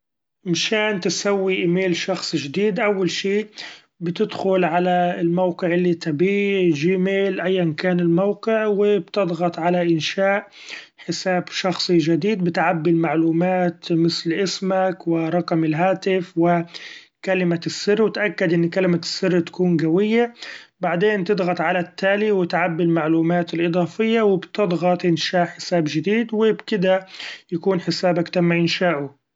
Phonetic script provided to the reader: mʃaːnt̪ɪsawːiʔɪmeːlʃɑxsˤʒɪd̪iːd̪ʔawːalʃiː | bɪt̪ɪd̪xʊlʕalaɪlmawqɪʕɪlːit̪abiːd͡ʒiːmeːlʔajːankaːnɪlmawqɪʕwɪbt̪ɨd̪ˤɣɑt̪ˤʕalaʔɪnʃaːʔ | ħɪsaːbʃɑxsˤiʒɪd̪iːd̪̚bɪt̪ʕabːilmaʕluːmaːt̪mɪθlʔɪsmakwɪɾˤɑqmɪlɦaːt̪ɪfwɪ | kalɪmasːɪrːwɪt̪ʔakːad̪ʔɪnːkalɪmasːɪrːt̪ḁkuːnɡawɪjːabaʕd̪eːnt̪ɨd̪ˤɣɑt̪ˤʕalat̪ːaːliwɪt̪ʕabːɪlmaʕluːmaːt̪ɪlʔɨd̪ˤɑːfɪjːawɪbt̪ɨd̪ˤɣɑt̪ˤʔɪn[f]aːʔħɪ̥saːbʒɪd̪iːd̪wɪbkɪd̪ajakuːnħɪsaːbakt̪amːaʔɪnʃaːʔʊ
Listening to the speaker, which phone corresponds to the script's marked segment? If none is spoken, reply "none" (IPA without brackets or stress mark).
ʃ